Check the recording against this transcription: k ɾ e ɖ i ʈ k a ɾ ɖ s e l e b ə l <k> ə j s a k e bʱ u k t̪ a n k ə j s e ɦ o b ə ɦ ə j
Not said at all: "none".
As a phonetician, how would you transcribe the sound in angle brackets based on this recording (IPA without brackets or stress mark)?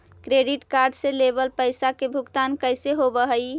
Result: p